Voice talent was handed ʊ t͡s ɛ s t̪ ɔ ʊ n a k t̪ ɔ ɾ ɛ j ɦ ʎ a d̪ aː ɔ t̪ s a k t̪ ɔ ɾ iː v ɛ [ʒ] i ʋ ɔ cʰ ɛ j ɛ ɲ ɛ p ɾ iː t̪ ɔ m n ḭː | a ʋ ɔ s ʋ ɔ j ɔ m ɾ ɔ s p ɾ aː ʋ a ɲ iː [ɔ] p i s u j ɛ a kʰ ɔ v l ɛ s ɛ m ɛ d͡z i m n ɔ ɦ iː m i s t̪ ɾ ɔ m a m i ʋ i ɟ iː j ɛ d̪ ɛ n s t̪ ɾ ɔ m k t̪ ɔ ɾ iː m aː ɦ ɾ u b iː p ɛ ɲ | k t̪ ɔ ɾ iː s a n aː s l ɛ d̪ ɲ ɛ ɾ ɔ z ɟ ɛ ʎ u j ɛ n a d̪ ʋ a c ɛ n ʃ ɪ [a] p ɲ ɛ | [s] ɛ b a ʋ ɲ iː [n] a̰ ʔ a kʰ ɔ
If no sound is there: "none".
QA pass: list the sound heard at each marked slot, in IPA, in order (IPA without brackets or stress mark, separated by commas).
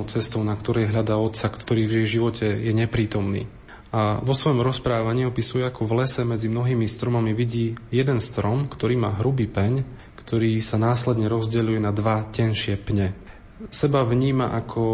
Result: ʒ, ɔ, ɛ, s, m